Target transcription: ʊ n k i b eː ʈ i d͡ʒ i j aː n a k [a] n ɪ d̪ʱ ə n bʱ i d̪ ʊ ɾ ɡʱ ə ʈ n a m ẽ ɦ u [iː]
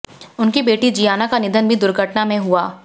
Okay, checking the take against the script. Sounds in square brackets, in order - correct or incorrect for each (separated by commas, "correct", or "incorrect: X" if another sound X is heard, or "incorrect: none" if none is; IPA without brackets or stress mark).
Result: correct, incorrect: aː